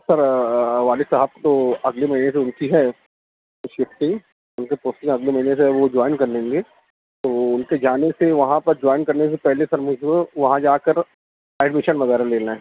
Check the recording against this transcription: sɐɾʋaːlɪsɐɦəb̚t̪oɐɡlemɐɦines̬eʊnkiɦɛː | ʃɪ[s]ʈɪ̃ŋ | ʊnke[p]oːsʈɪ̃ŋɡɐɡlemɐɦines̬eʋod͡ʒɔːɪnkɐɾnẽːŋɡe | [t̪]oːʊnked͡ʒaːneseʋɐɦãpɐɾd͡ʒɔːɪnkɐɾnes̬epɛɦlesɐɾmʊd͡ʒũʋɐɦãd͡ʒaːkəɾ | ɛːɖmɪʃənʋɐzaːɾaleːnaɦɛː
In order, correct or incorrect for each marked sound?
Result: incorrect, correct, correct

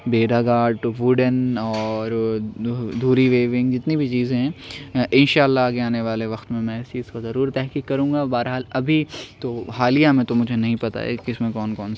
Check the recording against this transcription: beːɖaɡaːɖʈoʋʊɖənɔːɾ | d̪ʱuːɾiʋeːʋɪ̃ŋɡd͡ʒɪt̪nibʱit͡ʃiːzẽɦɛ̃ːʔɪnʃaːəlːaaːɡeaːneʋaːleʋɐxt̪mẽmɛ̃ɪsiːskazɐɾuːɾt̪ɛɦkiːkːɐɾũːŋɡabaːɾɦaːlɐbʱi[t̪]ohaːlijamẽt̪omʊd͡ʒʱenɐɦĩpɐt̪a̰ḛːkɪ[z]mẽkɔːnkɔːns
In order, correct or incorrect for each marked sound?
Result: correct, incorrect

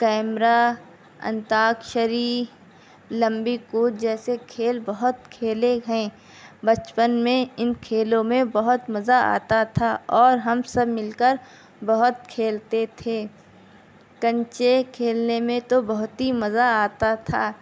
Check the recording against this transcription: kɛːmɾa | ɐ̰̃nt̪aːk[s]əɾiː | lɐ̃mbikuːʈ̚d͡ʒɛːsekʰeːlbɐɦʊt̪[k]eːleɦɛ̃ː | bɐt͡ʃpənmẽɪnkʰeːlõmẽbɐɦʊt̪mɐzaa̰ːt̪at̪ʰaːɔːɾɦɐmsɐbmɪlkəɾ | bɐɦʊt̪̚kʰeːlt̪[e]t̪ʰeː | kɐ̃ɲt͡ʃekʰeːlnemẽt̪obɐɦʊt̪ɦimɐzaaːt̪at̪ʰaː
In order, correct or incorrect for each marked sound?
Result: incorrect, incorrect, correct

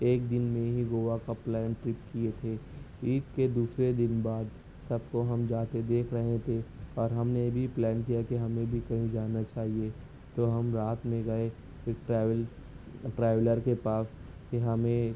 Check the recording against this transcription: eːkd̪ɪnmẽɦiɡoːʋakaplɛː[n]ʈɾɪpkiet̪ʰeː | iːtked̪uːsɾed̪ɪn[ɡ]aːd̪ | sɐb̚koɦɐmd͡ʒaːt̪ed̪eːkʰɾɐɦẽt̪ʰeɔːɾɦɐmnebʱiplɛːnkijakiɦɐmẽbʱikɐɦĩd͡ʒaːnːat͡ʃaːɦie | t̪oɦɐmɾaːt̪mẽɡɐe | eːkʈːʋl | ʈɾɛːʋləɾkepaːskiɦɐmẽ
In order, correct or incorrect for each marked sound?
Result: correct, incorrect

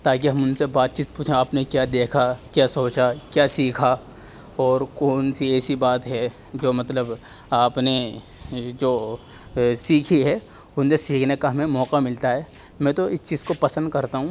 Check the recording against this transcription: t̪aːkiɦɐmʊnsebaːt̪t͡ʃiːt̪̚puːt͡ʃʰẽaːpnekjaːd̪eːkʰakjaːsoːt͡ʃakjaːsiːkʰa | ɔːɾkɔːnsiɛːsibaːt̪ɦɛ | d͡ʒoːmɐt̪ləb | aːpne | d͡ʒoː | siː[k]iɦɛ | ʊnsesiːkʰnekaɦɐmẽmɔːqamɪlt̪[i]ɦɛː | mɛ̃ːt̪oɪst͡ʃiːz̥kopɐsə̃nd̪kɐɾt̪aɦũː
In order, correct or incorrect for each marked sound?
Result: incorrect, incorrect

